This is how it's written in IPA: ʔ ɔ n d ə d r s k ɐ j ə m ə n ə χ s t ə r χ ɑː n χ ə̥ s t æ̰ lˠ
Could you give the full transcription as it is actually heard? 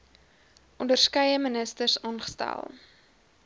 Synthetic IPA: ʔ ɔ n d ə r s k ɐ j ə m ə n ə s t ə r s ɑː n χ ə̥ s t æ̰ lˠ